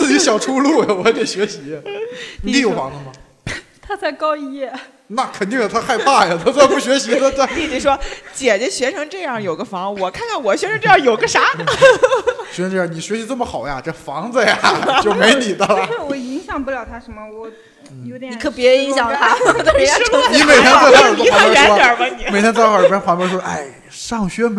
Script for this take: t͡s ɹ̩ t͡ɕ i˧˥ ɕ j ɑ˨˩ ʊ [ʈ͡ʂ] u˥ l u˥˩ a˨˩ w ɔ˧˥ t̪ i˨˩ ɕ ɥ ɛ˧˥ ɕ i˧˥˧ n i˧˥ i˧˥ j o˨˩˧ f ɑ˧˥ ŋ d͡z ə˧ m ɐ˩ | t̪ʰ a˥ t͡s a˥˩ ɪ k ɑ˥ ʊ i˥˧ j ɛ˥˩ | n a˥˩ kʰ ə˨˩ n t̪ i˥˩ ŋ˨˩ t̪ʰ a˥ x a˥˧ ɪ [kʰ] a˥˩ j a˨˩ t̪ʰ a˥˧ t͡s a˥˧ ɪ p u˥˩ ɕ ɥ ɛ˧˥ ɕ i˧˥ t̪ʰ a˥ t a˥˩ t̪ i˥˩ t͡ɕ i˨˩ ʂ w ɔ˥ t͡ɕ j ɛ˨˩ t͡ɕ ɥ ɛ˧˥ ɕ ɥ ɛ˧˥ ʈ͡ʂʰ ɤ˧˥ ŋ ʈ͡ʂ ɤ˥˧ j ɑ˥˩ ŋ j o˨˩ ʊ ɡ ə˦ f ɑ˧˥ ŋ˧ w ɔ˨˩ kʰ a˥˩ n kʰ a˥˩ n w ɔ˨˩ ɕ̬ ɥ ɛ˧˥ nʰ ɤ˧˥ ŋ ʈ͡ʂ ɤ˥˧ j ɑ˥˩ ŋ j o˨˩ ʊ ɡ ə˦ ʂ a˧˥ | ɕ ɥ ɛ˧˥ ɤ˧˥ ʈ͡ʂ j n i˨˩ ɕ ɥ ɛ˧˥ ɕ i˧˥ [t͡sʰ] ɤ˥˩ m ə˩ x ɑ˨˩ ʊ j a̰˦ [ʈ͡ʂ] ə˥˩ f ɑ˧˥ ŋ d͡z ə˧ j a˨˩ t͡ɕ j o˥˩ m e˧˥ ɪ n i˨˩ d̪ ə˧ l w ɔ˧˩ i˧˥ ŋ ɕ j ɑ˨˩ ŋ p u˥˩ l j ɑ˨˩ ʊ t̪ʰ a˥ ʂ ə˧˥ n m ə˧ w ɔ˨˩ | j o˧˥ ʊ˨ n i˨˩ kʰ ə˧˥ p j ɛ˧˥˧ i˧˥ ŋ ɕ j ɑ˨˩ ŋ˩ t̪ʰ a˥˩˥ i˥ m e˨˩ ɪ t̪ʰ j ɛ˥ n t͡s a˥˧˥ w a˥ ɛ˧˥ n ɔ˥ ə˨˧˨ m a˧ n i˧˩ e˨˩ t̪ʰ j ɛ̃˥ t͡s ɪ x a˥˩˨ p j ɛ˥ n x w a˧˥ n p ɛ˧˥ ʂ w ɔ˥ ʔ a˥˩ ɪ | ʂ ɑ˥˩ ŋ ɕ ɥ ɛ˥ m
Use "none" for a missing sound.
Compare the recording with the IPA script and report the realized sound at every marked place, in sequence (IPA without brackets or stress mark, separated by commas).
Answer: ʈ͡ʂʰ, pʰ, t͡s, ʈ͡ʂ